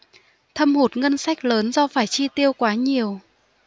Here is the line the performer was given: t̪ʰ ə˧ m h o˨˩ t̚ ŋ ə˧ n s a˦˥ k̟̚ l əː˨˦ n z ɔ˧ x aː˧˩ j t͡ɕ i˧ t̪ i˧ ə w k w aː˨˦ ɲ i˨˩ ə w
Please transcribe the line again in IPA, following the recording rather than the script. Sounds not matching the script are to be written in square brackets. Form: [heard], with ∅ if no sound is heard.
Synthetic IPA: t̪ʰ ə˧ m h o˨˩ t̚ ŋ ə˧ n s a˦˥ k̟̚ l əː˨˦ n z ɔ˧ [f] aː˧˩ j t͡ɕ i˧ t̪ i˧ ə w k w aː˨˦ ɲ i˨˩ ə w